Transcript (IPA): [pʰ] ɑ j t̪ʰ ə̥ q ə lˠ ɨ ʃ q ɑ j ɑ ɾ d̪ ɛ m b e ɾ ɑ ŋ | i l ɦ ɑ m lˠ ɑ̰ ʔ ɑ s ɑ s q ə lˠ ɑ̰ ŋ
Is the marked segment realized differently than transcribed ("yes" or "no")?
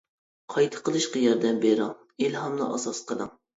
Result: yes